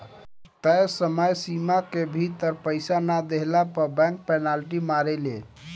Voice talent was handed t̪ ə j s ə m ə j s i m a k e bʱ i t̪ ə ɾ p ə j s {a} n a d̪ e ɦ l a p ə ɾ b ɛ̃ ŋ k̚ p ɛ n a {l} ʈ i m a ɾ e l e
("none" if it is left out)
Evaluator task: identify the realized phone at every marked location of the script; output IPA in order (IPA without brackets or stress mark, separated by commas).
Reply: a, l